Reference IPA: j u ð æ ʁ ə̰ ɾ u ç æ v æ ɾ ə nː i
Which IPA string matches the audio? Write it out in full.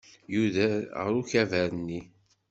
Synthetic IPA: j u ð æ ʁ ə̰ ɾ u ç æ v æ ɾ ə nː i